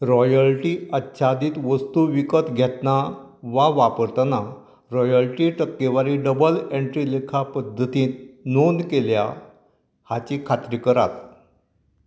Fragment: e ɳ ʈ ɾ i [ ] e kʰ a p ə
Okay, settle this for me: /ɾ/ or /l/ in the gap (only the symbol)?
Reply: l